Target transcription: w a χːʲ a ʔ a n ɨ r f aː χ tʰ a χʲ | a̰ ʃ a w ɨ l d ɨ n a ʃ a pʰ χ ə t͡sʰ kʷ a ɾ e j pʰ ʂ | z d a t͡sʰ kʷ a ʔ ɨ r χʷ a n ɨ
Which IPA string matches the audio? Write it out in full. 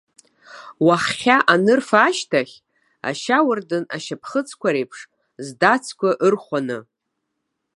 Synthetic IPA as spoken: w a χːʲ a ʔ a n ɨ r f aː ʃ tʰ a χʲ | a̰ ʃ a w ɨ r d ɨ n a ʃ a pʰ χ ə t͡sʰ kʷ a ɾ e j pʰ ʂ | z d a t͡sʰ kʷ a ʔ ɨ r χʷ a n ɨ